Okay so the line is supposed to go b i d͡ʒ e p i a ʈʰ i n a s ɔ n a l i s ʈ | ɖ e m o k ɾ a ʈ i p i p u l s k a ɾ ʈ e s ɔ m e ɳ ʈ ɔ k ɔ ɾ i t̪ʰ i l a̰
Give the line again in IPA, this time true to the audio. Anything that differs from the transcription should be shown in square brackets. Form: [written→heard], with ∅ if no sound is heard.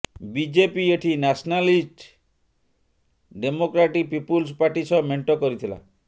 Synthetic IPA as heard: b i d͡ʒ e p i [a→e] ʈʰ i n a s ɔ n a l i s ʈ | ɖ e m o k ɾ a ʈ i p i p u l s [k→p] a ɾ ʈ [e→i] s ɔ m e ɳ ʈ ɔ k ɔ ɾ i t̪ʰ i l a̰